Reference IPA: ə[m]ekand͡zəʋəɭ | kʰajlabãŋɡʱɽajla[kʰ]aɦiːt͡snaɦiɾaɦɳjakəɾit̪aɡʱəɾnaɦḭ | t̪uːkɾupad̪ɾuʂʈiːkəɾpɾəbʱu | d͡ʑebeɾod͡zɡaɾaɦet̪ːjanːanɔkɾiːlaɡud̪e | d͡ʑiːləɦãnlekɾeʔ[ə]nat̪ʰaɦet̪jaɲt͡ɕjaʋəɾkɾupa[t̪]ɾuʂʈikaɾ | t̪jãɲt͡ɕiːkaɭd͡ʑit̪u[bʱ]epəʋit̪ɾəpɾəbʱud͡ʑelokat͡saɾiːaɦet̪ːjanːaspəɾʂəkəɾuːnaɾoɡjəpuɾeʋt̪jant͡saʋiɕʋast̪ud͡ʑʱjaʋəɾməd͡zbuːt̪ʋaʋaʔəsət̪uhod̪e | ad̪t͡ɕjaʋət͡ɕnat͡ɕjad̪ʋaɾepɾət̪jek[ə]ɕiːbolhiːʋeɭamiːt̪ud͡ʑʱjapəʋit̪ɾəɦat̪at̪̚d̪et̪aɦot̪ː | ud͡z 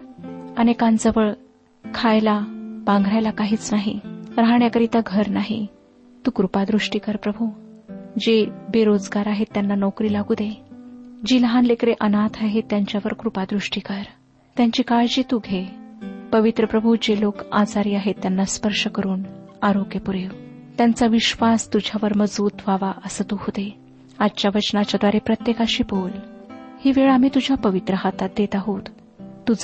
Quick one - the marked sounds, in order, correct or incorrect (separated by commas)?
incorrect, incorrect, correct, incorrect, incorrect, incorrect